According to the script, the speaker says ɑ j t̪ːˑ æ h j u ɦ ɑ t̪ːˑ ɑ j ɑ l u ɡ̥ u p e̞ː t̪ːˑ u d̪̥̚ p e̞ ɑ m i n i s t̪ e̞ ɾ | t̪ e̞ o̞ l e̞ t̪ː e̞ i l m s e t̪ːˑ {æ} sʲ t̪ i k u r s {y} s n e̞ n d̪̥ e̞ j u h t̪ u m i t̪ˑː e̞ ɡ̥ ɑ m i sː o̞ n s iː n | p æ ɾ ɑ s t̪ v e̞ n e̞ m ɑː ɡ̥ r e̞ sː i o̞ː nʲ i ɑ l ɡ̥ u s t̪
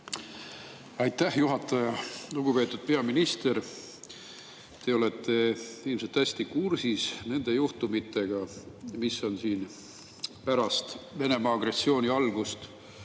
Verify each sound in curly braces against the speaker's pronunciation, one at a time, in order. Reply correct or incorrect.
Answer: correct, incorrect: i

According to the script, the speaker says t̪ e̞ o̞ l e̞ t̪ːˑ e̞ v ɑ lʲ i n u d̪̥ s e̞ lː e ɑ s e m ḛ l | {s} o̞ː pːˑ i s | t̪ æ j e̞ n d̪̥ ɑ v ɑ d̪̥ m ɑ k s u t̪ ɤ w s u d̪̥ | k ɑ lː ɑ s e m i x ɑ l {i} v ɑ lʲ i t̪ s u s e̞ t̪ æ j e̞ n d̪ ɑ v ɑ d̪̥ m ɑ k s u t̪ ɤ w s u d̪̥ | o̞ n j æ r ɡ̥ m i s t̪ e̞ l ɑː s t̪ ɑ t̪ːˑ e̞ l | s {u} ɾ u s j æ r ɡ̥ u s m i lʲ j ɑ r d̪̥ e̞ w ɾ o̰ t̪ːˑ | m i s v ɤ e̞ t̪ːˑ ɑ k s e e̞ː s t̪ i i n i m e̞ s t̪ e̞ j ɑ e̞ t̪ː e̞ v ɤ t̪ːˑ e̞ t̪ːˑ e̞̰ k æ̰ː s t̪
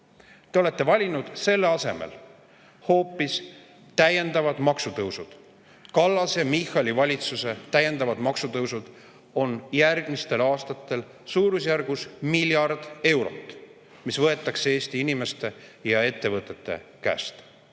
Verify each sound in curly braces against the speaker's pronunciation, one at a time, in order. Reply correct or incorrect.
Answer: incorrect: h, correct, incorrect: uː

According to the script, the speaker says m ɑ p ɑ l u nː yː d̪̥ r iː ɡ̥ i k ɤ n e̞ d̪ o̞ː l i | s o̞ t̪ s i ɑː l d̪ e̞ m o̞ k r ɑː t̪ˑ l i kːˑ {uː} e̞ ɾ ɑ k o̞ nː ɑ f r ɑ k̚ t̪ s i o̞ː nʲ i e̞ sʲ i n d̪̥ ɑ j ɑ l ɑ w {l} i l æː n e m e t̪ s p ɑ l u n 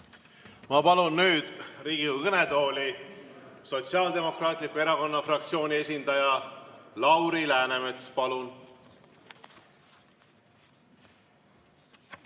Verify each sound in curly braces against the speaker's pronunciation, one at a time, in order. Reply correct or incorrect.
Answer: incorrect: u, incorrect: ɾ

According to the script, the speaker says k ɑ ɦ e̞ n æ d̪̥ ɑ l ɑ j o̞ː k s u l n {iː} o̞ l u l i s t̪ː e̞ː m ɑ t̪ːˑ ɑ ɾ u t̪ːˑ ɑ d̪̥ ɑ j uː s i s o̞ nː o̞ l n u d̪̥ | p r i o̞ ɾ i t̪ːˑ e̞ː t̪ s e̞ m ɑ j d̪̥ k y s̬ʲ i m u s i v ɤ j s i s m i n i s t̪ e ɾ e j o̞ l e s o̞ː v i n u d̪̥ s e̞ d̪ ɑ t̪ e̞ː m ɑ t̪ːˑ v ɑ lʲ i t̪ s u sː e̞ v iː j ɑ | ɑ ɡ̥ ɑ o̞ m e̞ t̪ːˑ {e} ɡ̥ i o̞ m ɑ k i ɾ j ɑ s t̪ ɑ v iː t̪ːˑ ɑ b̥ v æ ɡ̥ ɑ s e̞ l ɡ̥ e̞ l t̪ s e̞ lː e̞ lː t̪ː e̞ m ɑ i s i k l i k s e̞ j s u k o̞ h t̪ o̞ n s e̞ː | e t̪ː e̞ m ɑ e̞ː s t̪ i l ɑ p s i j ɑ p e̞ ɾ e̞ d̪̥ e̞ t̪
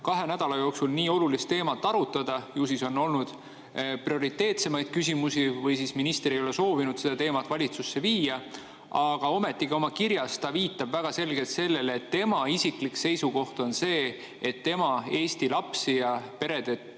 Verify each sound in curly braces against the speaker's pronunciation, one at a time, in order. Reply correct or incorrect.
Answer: correct, incorrect: i

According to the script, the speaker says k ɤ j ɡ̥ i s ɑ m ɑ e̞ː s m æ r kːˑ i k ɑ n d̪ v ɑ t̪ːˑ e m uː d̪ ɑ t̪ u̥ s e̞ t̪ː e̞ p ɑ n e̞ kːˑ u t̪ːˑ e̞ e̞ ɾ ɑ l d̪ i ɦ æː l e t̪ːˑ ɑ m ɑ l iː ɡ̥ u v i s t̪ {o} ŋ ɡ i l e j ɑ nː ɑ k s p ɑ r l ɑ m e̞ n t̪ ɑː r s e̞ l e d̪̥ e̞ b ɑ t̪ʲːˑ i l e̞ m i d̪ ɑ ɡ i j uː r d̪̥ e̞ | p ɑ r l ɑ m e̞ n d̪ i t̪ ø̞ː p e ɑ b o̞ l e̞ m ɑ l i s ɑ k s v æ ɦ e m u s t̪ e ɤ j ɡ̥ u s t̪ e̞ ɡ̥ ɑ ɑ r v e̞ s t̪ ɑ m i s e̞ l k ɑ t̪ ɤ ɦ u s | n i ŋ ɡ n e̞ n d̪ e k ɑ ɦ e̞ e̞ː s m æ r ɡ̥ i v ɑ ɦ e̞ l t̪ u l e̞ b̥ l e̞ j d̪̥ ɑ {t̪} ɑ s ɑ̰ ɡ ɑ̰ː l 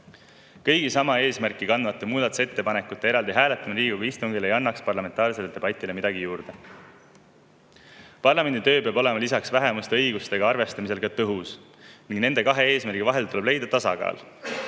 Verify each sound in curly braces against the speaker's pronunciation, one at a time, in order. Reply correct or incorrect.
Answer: incorrect: u, correct

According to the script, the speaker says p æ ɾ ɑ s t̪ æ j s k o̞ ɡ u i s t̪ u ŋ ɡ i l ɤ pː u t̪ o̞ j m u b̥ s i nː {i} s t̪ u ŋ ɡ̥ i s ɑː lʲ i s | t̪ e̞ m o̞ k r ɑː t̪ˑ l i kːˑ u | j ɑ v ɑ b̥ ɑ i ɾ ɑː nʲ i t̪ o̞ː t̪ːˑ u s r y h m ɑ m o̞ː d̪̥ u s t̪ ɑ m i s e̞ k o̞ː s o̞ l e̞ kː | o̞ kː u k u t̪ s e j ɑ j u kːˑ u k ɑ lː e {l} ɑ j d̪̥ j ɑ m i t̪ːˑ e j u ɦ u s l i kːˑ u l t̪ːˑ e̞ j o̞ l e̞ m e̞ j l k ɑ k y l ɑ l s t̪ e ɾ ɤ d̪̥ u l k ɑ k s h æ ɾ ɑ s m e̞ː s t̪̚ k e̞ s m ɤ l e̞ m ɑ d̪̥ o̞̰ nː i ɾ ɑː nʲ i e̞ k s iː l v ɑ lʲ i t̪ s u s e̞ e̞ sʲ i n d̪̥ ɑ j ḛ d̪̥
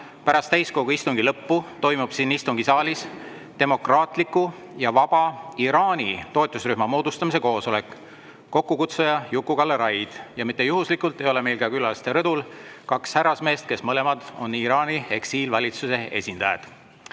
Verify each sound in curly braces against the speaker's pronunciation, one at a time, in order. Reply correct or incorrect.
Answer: correct, incorrect: ɾ

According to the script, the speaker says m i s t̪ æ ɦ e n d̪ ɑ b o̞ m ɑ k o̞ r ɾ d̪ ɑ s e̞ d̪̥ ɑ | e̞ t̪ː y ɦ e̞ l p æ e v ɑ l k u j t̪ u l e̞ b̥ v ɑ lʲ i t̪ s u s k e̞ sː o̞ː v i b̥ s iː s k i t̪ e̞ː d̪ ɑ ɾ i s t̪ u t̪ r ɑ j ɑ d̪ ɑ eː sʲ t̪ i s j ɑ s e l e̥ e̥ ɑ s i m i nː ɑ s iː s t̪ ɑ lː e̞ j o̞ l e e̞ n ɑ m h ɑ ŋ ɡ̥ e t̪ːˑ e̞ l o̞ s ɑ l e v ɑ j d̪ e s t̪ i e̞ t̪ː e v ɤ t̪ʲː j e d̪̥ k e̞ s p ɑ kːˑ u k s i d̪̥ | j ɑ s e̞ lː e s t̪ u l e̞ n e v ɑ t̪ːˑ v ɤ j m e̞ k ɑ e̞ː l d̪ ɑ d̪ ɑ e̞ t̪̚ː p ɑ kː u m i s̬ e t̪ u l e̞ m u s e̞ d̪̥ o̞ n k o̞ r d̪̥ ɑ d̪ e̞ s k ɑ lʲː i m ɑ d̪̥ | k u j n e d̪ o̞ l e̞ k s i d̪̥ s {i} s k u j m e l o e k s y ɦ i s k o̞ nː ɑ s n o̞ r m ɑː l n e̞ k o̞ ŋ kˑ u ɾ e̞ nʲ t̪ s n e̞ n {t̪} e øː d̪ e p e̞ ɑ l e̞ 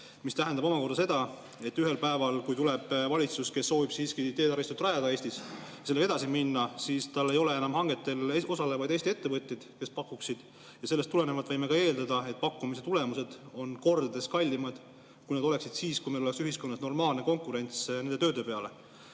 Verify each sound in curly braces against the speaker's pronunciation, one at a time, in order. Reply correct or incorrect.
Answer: incorrect: iː, incorrect: d̪

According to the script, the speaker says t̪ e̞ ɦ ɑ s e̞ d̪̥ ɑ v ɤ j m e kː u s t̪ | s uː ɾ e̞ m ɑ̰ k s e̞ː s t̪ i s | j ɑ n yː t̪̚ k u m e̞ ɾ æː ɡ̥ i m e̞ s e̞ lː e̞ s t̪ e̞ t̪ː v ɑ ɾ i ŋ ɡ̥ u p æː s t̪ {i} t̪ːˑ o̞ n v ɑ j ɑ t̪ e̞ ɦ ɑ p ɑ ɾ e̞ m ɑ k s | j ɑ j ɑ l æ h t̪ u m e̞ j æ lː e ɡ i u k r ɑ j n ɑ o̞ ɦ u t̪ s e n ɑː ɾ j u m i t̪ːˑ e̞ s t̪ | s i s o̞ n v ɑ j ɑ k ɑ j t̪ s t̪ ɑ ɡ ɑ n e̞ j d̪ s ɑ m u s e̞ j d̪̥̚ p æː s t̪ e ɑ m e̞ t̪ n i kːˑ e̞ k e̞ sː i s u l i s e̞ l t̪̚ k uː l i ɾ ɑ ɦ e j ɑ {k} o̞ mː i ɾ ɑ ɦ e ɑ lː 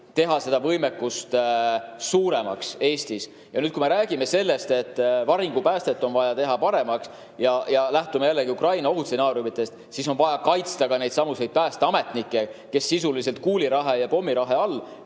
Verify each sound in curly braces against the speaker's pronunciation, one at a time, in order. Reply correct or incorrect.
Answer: incorrect: e, incorrect: p

